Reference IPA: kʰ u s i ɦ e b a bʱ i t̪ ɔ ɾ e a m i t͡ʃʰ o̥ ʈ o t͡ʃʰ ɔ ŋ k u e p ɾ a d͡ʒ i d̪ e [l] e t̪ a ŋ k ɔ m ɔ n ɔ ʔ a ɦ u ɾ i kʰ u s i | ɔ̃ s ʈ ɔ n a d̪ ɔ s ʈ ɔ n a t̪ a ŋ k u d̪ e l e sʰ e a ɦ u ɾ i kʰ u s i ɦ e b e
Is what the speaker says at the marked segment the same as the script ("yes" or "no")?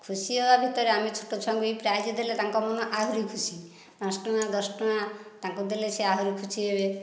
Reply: yes